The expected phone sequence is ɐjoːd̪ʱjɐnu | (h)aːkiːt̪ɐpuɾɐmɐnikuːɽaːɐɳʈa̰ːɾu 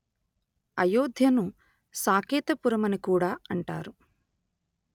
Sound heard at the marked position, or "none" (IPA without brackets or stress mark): s